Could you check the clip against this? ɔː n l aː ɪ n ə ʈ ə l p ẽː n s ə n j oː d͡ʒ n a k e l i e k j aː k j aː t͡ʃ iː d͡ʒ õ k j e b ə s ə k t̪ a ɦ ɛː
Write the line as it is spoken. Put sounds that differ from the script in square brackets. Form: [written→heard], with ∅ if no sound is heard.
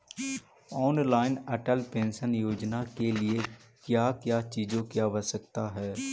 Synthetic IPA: ɔː n l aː ɪ n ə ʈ ə l p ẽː n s ə n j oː d͡ʒ n a k e l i e k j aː k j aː t͡ʃ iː d͡ʒ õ k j [e→a] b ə s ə k t̪ a ɦ ɛː